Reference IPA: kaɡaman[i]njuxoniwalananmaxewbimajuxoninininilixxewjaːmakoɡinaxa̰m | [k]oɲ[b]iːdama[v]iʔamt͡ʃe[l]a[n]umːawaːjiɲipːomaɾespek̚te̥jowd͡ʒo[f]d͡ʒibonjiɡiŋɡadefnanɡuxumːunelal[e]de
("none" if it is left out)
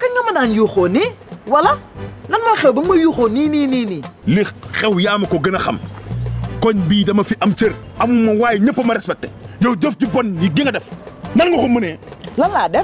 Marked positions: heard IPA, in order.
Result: a, k, b, f, ɾ, m, f, a

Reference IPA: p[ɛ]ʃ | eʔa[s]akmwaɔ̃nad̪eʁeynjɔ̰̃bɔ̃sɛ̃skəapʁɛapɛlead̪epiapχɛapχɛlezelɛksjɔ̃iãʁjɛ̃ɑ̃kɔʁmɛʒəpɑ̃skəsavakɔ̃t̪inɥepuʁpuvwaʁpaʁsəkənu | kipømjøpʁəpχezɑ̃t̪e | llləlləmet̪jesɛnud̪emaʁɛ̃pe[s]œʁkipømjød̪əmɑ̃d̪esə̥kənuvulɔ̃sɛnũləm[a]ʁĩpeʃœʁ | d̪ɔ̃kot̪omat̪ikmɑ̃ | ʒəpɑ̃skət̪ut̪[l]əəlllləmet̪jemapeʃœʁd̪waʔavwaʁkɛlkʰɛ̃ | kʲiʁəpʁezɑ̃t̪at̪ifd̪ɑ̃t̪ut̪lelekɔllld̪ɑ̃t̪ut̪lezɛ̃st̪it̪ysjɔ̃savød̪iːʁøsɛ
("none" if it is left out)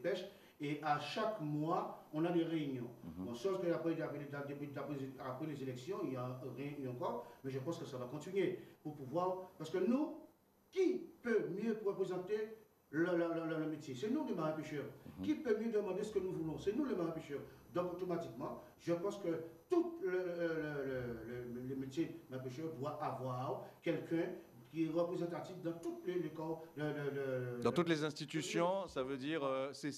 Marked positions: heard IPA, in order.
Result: ɛ, ʃ, ʃ, a, l

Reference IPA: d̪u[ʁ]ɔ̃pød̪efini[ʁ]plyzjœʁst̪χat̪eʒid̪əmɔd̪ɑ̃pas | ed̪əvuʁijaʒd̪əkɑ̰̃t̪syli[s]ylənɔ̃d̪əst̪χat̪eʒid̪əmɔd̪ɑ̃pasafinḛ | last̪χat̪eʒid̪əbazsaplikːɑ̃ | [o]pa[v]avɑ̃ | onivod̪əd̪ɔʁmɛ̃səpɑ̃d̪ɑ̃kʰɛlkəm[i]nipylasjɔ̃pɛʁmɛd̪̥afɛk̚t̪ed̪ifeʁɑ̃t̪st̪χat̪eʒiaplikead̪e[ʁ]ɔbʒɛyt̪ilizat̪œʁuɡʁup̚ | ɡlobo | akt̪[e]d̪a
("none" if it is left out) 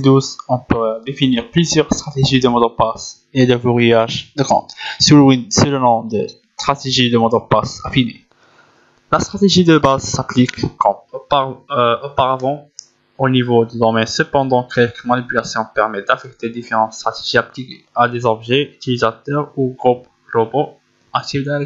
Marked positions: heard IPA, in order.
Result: z, ʁ, s, o, ʁ, a, z, i

